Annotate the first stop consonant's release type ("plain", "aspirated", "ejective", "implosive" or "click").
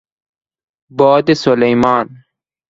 plain